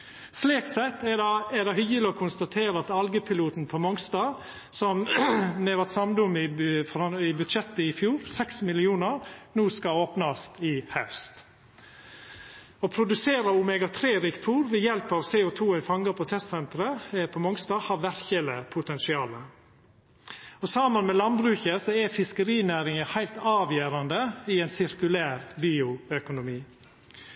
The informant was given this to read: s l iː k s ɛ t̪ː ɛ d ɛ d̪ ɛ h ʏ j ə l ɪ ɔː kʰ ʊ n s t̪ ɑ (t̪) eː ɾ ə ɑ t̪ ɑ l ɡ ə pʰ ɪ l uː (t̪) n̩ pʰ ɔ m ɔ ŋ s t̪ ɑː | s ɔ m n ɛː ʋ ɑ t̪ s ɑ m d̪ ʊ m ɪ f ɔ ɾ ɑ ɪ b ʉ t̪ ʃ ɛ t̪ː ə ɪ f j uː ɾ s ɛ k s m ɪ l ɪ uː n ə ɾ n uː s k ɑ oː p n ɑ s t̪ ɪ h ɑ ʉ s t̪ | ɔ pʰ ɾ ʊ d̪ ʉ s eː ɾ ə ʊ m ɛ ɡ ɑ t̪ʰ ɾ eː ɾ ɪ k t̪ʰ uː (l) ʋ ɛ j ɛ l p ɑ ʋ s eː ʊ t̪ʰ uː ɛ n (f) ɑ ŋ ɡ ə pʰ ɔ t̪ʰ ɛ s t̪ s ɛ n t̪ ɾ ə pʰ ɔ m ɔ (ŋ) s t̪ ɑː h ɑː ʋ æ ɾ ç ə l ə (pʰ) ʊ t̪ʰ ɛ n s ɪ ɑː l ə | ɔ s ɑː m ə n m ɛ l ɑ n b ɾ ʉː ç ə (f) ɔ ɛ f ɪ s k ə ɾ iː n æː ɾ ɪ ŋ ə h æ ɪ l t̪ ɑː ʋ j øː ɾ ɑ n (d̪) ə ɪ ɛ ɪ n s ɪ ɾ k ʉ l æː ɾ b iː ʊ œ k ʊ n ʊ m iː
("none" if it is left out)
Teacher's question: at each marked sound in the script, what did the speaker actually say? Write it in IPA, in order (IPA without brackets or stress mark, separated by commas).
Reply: t̪ʰ, t̪, ɾ, f, ŋ, pʰ, s, d̪